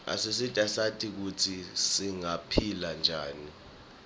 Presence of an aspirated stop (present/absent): present